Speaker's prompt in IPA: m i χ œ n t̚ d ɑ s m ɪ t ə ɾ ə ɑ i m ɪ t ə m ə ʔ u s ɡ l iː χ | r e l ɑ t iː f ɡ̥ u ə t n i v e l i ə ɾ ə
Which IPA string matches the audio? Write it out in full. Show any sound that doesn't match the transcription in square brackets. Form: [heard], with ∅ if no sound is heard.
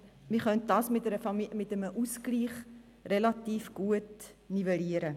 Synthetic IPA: m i χ œ n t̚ d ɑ s m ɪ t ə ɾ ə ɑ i m ɪ t ə m ə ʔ u s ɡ l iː χ | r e l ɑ t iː f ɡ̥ u ə t n i v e l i ə ɾ ə